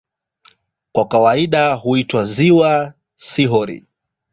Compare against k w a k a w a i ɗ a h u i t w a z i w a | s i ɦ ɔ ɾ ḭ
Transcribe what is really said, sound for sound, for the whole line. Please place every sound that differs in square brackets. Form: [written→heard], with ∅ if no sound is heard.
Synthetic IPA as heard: k w a k a w a i ɗ a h u i t w a z i w a | s i ɦ ɔ ɾ ḭ